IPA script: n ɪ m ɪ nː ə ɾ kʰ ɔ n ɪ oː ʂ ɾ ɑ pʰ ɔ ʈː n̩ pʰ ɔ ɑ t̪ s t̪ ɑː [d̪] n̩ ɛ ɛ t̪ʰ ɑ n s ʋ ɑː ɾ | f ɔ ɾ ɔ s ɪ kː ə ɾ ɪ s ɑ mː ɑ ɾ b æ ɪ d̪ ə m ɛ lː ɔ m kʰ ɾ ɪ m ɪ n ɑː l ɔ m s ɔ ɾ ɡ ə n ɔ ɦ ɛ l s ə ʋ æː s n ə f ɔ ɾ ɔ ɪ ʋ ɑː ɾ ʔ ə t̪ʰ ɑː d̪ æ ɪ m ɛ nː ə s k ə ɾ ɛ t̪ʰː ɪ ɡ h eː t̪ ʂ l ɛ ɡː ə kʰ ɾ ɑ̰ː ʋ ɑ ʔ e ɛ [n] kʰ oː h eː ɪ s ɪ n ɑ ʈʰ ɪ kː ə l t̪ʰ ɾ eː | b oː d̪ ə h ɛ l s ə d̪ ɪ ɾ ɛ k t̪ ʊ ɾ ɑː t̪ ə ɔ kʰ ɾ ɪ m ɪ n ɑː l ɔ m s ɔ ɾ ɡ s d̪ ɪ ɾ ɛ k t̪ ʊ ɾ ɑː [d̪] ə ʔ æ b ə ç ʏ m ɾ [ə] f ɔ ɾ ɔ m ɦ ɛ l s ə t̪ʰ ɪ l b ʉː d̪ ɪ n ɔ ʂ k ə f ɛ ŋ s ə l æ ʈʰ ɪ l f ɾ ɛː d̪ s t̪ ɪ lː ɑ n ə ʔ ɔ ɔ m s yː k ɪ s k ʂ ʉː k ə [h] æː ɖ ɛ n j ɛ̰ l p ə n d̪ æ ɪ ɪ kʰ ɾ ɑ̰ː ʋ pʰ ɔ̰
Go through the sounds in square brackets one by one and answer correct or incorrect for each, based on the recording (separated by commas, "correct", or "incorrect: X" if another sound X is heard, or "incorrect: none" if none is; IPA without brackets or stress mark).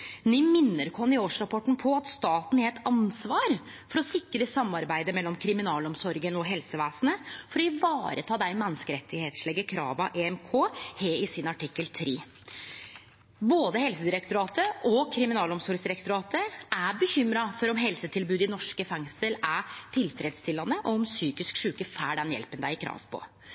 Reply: incorrect: t̪, incorrect: m, incorrect: t̪, incorrect: ɑ, incorrect: f